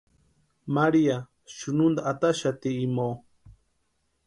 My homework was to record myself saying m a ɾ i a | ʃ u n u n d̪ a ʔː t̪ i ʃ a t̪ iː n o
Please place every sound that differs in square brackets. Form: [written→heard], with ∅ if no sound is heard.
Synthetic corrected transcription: m a ɾ i a | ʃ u n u n d̪ a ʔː t̪ [i→a] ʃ a t̪ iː [n→m] o